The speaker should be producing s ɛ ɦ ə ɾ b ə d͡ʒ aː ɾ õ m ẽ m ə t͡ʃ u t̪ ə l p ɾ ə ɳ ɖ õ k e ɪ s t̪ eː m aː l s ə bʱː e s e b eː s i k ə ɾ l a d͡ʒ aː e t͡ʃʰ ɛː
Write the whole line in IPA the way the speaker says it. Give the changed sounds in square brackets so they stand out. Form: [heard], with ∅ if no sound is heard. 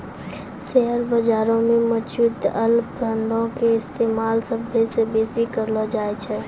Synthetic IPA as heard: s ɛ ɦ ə ɾ b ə d͡ʒ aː ɾ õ m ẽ m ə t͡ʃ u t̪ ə l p ɾ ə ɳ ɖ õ k e ɪ s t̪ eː m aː l s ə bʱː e s e b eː s i k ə ɾ l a d͡ʒ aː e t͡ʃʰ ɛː